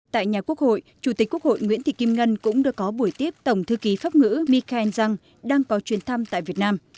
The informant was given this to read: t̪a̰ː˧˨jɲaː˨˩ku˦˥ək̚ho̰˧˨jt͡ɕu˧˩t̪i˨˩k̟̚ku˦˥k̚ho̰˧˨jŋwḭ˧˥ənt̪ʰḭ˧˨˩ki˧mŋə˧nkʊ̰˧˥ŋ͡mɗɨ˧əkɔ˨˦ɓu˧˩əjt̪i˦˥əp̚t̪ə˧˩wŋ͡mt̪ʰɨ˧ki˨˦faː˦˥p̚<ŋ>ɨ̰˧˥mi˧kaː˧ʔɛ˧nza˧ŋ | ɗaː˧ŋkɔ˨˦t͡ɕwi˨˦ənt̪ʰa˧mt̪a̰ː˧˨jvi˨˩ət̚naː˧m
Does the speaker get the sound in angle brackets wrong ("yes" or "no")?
no